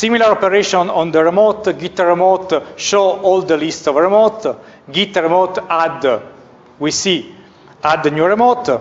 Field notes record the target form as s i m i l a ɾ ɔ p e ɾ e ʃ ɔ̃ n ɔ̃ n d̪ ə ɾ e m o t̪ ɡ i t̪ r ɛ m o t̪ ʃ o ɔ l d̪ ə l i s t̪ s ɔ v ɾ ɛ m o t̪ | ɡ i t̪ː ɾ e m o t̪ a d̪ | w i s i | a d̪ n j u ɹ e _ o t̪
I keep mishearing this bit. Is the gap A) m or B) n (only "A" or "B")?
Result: A